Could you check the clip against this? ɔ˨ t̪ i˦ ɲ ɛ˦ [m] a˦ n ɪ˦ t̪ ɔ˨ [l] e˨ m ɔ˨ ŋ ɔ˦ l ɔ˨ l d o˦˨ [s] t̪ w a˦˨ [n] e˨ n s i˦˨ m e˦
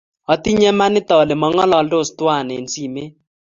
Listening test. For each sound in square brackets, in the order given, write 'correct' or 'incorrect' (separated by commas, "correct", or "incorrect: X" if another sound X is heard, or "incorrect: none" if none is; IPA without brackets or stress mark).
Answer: correct, correct, correct, correct